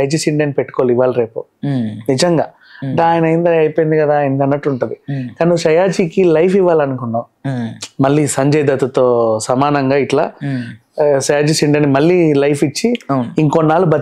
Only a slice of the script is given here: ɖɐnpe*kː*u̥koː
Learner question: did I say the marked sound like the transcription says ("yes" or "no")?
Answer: no